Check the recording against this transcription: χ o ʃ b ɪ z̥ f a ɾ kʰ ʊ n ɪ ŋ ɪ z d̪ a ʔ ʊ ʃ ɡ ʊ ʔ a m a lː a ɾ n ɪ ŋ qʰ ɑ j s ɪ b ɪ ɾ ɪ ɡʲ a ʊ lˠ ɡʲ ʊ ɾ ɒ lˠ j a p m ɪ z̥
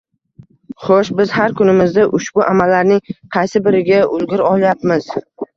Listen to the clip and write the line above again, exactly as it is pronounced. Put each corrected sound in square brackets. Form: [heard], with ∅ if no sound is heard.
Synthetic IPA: χ o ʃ b ɪ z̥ [h] a ɾ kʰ ʊ n ɪ [m] ɪ z d̪ a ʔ ʊ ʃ [b] ʊ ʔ a m a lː a ɾ n ɪ ŋ qʰ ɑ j s ɪ b ɪ ɾ ɪ ɡʲ a ʊ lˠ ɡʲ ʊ ɾ ɒ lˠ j a p m ɪ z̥

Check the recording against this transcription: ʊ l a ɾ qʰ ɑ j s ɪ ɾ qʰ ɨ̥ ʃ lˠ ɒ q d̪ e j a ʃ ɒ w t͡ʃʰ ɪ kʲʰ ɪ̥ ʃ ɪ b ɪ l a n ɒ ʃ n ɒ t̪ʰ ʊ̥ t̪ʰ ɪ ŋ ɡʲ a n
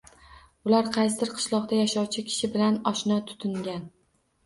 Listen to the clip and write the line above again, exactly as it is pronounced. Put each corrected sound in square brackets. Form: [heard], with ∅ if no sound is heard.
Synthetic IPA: ʊ l a ɾ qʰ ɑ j s ɪ ɾ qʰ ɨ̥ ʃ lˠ ɒ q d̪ [a] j a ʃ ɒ w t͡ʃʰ ɪ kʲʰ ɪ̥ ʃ ɪ b ɪ l a n ɒ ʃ n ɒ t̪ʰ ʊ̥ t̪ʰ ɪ ŋ ɡʲ a n

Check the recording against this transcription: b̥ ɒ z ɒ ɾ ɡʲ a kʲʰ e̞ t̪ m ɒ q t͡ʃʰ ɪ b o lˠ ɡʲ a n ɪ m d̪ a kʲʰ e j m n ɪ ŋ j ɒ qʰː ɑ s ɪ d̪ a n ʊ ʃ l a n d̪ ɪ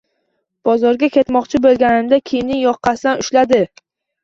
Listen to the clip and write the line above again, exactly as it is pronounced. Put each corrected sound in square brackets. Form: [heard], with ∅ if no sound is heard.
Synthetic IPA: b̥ ɒ z ɒ ɾ ɡʲ a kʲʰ e̞ t̪ m ɒ q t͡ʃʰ ɪ b o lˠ ɡʲ a n ɪ m d̪ a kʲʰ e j m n ɪ ŋ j ɒ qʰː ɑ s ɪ d̪ a n ʊ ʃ l a [∅] d̪ ɪ

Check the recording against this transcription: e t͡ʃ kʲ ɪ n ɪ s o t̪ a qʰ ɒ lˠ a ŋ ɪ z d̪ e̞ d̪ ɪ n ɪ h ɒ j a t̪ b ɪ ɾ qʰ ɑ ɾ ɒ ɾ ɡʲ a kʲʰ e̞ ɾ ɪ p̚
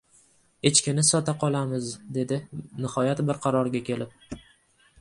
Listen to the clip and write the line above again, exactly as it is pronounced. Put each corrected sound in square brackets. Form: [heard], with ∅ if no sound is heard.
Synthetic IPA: e t͡ʃ kʲ ɪ n ɪ s [ɒ] t̪ a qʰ ɒ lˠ a [m] ɪ z d̪ e̞ d̪ ɪ n ɪ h ɒ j a t̪ b ɪ ɾ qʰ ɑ ɾ ɒ ɾ ɡʲ a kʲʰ e̞ [l] ɪ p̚

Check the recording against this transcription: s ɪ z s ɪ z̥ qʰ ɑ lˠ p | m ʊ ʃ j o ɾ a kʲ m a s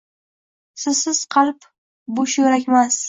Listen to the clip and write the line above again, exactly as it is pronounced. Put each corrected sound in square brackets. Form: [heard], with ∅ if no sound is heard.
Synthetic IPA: s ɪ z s ɪ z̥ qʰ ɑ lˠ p | [b] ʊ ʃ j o ɾ a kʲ m a s

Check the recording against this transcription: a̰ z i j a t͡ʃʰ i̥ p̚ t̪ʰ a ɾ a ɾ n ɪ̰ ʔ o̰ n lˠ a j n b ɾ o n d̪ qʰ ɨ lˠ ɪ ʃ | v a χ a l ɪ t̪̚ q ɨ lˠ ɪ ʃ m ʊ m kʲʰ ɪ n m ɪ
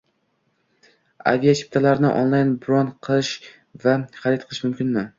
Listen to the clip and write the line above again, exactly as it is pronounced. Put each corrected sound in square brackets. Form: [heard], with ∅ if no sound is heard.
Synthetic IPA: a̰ [v] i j a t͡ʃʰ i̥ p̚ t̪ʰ a [l] a ɾ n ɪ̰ ʔ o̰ n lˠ a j n b ɾ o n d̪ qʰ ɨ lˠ ɪ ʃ | v a χ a [ɾ] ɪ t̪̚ q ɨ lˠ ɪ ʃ m ʊ m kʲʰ ɪ n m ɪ

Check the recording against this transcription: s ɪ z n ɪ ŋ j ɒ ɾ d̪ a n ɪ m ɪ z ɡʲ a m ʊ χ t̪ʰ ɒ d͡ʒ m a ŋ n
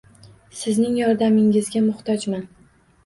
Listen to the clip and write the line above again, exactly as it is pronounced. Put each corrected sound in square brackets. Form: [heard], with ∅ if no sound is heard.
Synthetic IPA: s ɪ z n ɪ ŋ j ɒ ɾ d̪ a [m] ɪ [ŋ] ɪ z ɡʲ a m ʊ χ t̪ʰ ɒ d͡ʒ m a [∅] n

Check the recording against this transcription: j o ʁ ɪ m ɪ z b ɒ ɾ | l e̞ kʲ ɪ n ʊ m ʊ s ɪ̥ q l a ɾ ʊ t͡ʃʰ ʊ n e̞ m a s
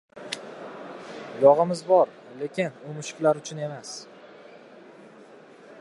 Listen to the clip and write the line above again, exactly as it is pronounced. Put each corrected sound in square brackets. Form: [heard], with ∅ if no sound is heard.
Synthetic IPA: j [ɒ] ʁ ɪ m ɪ z b ɒ ɾ | l e̞ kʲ ɪ n ʊ m ʊ [ʃ] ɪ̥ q l a ɾ ʊ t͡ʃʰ ʊ n e̞ m a s

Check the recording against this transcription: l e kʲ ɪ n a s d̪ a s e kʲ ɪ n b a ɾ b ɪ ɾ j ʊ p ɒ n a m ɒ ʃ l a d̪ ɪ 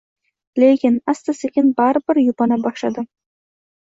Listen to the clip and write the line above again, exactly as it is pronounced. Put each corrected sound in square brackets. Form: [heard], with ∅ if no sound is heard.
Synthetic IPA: l e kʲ ɪ n a s [t̪] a s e kʲ ɪ n b a ɾ b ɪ ɾ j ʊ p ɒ n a [b] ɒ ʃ l a d̪ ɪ

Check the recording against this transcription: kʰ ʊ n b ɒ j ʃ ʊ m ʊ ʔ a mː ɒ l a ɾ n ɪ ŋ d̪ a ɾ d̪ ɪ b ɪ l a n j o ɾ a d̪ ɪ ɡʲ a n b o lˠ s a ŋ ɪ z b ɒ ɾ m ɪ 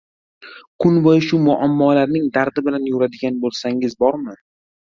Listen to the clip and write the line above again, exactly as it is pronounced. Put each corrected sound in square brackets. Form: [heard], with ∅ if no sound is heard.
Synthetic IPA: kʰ ʊ n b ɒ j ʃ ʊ m ʊ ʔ a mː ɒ l a ɾ n ɪ ŋ d̪ a ɾ d̪ ɪ b ɪ l a n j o ɾ a d̪ ɪ ɡʲ a n b o lˠ s a ŋ ɪ z b ɒ ɾ m ɪ

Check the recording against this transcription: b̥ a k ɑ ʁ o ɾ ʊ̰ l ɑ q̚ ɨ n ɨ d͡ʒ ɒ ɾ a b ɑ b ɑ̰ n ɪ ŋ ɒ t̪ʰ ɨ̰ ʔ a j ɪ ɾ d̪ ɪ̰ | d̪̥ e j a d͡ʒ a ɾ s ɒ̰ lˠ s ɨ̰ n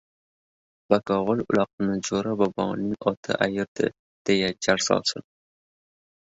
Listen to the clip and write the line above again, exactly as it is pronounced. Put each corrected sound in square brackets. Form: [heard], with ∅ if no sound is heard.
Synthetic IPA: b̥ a k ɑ ʁ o [l] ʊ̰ l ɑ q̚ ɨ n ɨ d͡ʒ [o] ɾ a b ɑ b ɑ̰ n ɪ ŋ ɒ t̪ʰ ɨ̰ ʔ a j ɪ ɾ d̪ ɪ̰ | d̪̥ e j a d͡ʒ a ɾ s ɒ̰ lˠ s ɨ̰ n

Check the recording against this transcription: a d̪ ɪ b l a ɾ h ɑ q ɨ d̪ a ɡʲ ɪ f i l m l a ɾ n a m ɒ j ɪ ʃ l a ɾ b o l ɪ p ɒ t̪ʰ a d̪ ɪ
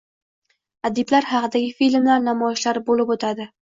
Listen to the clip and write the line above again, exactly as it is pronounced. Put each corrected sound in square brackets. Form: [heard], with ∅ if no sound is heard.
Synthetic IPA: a d̪ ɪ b l a ɾ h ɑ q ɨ d̪ a ɡʲ ɪ f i l m l a ɾ n a m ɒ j ɪ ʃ l a ɾ b o l ɪ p [o] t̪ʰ a d̪ ɪ

